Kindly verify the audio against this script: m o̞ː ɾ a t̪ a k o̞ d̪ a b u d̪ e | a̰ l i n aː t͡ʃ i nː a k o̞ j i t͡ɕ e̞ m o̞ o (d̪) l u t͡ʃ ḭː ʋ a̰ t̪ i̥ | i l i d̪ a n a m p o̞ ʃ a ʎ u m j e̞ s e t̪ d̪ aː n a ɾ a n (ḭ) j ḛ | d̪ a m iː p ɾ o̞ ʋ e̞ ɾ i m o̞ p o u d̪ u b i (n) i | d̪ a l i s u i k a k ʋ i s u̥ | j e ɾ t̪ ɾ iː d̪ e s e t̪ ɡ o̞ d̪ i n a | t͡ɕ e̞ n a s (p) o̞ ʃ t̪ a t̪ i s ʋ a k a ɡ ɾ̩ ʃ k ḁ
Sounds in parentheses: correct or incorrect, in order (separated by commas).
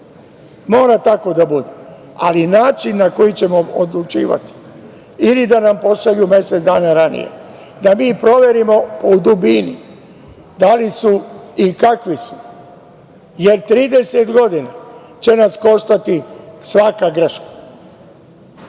correct, correct, correct, incorrect